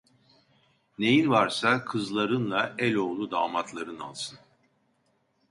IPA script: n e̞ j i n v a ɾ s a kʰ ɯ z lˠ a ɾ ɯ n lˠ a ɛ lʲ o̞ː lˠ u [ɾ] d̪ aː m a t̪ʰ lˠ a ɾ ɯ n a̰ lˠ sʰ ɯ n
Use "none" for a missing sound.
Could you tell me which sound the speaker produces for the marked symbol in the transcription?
none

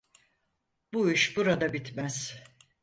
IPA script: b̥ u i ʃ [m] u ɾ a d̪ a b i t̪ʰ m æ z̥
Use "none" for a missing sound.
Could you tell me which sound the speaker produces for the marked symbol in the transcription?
b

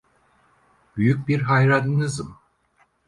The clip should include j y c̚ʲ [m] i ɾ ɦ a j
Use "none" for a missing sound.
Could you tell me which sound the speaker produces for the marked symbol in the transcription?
b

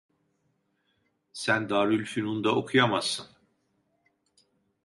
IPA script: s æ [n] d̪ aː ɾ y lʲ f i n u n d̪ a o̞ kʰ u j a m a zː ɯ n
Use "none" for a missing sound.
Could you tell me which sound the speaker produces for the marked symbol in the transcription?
n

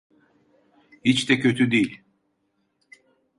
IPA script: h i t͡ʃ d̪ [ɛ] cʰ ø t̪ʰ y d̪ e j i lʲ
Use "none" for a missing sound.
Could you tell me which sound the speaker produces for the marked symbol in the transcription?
ɛ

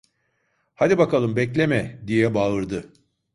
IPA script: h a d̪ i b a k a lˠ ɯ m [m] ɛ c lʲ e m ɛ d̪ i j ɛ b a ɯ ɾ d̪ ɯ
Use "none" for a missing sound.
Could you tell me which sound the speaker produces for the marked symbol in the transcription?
b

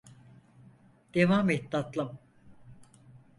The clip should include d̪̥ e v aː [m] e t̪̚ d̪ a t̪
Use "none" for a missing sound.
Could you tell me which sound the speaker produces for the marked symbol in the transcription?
m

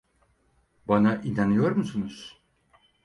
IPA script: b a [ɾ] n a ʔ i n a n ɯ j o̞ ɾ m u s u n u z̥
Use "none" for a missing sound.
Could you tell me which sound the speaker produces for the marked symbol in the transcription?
none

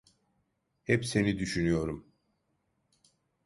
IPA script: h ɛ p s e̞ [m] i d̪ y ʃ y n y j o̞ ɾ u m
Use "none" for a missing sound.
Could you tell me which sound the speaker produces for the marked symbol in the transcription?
n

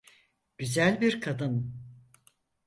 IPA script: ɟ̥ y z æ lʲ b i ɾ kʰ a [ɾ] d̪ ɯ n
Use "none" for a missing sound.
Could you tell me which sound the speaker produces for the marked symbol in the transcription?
none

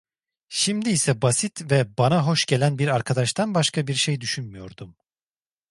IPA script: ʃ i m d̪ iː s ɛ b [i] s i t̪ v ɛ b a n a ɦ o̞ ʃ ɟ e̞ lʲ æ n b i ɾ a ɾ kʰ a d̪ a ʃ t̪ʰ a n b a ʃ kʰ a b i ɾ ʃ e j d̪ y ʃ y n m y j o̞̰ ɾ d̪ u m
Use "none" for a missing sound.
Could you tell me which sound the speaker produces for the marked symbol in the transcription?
a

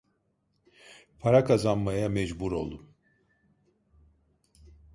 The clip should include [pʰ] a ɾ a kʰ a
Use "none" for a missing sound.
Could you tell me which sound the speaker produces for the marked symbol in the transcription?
pʰ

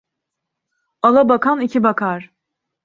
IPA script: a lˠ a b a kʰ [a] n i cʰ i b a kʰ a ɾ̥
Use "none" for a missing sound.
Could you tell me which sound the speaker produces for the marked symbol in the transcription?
a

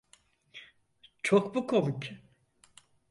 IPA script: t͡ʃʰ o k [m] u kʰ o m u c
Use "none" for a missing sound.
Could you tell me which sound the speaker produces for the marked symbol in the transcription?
b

